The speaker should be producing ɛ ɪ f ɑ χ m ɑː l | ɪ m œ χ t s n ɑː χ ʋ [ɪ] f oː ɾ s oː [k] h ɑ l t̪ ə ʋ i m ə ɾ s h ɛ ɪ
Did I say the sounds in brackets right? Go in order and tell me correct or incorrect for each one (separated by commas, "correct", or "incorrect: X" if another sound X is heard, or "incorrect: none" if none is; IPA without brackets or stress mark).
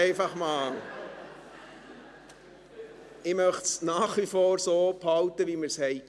incorrect: i, incorrect: p